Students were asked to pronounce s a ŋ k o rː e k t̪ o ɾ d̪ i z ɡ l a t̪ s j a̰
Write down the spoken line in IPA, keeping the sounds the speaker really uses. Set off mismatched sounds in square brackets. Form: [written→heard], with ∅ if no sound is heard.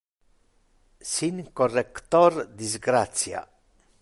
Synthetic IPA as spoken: s [a→i] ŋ k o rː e k t̪ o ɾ d̪ i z ɡ [l→ɾ] a t̪ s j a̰